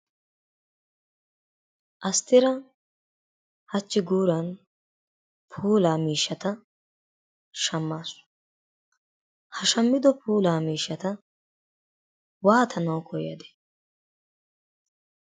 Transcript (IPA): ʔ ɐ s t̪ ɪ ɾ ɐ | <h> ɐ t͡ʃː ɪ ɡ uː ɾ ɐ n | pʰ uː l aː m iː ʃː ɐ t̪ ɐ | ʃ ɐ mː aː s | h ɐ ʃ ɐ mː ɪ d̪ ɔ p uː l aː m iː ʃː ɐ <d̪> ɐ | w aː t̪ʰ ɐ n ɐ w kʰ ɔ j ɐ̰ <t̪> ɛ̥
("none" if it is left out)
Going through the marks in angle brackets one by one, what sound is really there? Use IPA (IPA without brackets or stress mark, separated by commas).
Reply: h, t̪, d̪